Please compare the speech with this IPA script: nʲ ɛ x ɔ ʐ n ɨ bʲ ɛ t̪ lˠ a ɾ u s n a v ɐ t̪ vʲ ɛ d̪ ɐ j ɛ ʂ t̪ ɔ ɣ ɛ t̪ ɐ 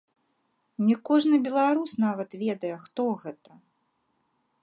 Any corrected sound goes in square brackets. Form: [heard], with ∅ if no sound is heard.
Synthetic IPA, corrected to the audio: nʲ ɛ [k] ɔ ʐ n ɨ bʲ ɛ [∅] lˠ a ɾ u s n a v ɐ t̪ vʲ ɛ d̪ ɐ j ɛ [x] t̪ ɔ ɣ ɛ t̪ ɐ

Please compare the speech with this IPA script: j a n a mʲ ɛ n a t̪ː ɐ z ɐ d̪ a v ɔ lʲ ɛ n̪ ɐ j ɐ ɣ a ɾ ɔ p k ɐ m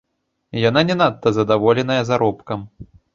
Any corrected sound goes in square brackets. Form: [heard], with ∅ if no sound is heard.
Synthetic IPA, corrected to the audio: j a n a [nʲ] ɛ n a t̪ː ɐ z ɐ d̪ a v ɔ lʲ ɛ n̪ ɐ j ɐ [z] a ɾ ɔ p k ɐ m

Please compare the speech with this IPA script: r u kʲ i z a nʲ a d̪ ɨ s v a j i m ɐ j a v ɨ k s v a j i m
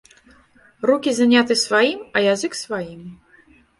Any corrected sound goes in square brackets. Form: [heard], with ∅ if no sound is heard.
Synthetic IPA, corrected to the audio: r u kʲ i z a nʲ a [t̪] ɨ s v a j i m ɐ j a [z] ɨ k s v a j i m

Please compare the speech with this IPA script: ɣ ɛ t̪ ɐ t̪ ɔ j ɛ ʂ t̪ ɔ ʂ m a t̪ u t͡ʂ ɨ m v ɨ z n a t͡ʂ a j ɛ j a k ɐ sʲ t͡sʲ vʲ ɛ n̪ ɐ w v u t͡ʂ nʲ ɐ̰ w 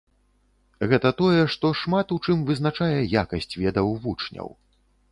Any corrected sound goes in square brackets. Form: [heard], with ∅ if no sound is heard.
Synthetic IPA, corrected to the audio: ɣ ɛ t̪ ɐ t̪ ɔ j ɛ ʂ t̪ ɔ ʂ m a t̪ u t͡ʂ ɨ m v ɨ z n a t͡ʂ a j ɛ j a k ɐ sʲ t͡sʲ vʲ ɛ [d̪] ɐ w v u t͡ʂ nʲ ɐ̰ w

